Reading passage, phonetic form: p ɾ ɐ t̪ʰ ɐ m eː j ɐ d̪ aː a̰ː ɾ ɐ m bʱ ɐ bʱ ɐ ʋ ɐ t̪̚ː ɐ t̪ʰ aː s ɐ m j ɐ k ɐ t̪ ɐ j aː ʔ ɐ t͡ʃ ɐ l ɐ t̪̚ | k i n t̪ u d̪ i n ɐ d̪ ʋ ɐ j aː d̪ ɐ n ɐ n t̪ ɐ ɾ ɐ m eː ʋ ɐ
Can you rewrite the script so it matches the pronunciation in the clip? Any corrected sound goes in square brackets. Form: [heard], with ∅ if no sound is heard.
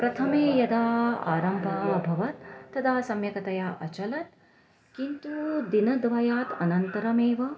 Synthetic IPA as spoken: p ɾ ɐ t̪ʰ ɐ m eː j ɐ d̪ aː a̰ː ɾ ɐ m bʱ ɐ bʱ ɐ ʋ ɐ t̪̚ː ɐ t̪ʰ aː s ɐ m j ɐ k ɐ t̪ ɐ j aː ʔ ɐ t͡ʃ ɐ l ɐ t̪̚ | k i n t̪ u d̪ i n ɐ d̪ ʋ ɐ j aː [t̪] ɐ n ɐ n t̪ ɐ ɾ ɐ m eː ʋ ɐ

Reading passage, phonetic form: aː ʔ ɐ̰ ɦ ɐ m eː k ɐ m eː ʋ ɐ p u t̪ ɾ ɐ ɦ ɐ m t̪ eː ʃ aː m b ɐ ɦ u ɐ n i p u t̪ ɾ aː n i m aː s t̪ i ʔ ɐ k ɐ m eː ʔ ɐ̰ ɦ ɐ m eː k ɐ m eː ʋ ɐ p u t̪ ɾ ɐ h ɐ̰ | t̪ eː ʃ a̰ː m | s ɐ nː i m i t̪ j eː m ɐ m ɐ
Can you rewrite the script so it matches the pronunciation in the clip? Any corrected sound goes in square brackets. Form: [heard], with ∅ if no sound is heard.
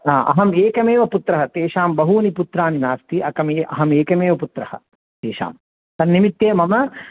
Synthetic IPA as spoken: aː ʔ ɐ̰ ɦ ɐ m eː k ɐ m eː ʋ ɐ p u t̪ ɾ ɐ ɦ ɐ [∅] t̪ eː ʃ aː m b ɐ ɦ u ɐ n i p u t̪ ɾ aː n i [n] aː s t̪ i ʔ ɐ k ɐ m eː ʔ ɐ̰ ɦ ɐ m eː k ɐ m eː ʋ ɐ p u t̪ ɾ ɐ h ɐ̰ | t̪ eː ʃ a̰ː m | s ɐ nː i m i t̪ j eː m ɐ m ɐ

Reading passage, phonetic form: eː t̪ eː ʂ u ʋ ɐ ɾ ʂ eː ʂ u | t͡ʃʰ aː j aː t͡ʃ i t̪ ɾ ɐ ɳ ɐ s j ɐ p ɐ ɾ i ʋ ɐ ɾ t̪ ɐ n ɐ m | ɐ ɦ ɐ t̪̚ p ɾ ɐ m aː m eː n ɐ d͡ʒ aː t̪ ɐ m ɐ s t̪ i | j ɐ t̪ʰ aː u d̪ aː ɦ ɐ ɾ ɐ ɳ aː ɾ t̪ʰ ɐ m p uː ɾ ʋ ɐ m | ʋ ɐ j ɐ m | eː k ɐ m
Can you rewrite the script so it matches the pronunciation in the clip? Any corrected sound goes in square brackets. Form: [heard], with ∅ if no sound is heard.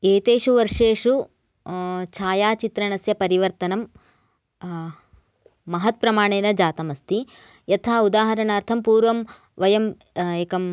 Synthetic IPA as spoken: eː t̪ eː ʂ u ʋ ɐ ɾ ʂ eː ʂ u | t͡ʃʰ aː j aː t͡ʃ i t̪ ɾ ɐ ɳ ɐ s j ɐ p ɐ ɾ i ʋ ɐ ɾ t̪ ɐ n ɐ m | ɐ ɦ ɐ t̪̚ p ɾ ɐ m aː [ɳ] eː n ɐ d͡ʒ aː t̪ ɐ m ɐ s t̪ i | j ɐ t̪ʰ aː u d̪ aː ɦ ɐ ɾ ɐ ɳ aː ɾ t̪ʰ ɐ m p uː ɾ ʋ ɐ m | ʋ ɐ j ɐ m | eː k ɐ m

